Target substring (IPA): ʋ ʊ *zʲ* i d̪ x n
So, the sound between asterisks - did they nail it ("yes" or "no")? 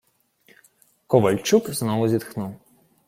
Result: yes